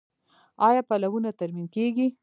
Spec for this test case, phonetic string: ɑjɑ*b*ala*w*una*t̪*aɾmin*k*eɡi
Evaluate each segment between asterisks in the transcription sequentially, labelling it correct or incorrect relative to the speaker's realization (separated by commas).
incorrect, correct, correct, correct